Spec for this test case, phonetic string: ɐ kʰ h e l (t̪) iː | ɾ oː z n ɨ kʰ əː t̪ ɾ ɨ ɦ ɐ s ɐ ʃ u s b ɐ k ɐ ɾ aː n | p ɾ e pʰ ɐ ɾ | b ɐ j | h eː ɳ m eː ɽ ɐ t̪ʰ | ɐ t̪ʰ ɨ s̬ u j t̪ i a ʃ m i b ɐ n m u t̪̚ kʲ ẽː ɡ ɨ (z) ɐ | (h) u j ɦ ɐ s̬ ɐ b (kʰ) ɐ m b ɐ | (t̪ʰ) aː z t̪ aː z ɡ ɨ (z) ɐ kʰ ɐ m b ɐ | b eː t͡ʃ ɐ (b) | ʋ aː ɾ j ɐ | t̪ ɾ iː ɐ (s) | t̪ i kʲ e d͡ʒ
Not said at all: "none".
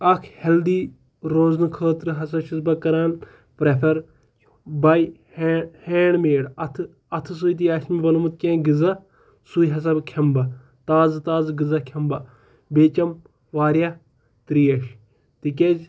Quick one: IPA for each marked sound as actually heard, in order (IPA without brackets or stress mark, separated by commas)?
d̪, z, s, kʰ, t̪, z, m, ʃ